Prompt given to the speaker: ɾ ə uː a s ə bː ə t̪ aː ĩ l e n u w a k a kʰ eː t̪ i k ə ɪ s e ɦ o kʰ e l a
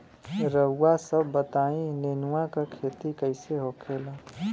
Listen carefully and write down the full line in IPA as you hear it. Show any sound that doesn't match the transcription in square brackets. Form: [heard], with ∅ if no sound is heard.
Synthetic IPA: ɾ ə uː a s ə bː ə t̪ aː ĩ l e n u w a k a kʰ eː t̪ i k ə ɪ s e ɦ o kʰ e l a